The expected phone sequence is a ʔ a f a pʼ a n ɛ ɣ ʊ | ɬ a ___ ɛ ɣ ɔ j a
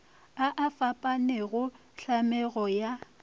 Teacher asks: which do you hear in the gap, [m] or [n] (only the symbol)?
m